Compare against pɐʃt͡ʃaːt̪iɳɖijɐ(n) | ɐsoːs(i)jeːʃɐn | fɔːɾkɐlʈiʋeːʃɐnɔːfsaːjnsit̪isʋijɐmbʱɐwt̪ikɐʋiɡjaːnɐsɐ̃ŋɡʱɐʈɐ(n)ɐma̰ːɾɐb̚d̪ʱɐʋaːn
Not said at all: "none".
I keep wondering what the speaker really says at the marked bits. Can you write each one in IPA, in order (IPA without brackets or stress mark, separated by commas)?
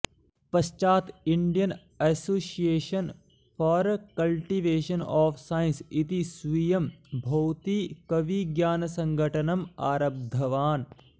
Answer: n, i, n